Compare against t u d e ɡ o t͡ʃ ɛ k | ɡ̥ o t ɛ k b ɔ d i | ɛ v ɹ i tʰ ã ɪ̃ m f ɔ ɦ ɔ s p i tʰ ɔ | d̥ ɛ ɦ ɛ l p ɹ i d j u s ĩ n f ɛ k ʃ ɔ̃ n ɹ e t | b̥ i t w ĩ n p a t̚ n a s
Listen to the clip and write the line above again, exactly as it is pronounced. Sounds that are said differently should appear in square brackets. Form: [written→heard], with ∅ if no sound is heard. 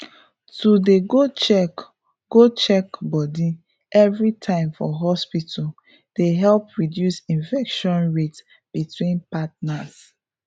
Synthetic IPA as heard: t u d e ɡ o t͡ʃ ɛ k | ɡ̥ o [t→t͡ʃ] ɛ k b ɔ d i | ɛ v ɹ i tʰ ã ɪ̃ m f ɔ ɦ ɔ s p i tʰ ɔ | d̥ [ɛ→e] ɦ ɛ l p ɹ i d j u s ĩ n f ɛ k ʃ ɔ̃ n ɹ e t | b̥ i t w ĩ n p a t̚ n a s